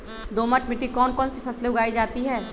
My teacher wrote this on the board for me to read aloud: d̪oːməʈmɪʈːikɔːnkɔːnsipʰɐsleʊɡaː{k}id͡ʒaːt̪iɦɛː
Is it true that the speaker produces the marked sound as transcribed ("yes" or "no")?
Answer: no